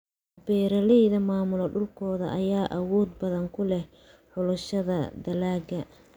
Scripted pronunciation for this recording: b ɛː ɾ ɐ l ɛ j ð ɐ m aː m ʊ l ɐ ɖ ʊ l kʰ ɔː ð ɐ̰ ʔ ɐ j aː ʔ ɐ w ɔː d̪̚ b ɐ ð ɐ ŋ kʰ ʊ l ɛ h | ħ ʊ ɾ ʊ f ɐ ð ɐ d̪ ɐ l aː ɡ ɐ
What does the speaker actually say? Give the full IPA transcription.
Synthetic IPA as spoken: b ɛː ɾ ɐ l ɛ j ð ɐ m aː m ʊ l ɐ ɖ ʊ l kʰ ɔː ð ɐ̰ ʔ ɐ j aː ʔ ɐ w ɔː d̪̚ b ɐ ð ɐ ŋ kʰ ʊ l ɛ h | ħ ʊ l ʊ ʃ ɐ ð ɐ d̪ ɐ l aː ɡ ɐ